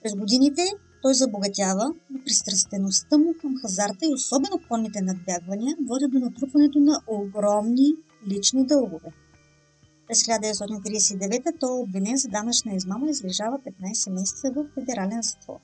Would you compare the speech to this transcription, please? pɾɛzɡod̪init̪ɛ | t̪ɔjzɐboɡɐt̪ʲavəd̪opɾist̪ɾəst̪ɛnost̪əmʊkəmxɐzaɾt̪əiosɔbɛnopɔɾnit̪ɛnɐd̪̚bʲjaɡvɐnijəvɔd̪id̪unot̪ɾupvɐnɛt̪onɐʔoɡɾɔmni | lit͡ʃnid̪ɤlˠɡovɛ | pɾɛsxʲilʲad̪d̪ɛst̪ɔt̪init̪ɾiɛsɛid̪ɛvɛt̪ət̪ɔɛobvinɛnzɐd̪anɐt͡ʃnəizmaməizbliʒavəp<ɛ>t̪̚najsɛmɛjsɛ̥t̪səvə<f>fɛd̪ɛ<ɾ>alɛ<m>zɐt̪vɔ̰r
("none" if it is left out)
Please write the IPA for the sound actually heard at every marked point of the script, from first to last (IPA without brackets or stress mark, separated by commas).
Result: ɛ, f, ɾ, n